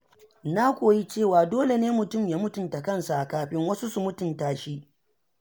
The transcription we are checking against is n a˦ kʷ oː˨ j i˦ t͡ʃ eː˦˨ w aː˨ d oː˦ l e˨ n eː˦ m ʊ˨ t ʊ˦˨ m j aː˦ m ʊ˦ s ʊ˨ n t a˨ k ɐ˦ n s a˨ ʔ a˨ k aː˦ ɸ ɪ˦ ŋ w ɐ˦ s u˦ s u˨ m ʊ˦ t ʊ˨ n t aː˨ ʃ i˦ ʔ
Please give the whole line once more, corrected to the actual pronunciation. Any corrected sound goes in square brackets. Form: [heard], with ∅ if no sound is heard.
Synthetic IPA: n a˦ kʷ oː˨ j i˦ t͡ʃ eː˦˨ w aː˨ d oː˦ l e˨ n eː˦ m ʊ˨ t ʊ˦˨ m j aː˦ m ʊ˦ [t] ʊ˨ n t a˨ k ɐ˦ n s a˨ ʔ a˨ k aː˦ ɸ ɪ˦ ŋ w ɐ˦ s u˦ s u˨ m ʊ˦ t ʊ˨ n t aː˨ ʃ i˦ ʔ